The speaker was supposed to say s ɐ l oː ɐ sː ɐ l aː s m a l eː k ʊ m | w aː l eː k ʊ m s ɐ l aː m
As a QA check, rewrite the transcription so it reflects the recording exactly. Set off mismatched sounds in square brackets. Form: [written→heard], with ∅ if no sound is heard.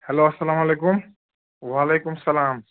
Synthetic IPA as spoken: [s→h] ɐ l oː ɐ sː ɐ l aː [s→∅] m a l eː k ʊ m | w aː l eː k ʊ m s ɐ l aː m